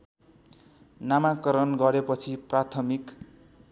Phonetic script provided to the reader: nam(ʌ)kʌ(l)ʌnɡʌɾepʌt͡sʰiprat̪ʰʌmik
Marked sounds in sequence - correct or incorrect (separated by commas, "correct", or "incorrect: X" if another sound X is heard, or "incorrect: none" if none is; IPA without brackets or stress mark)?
incorrect: a, incorrect: ɾ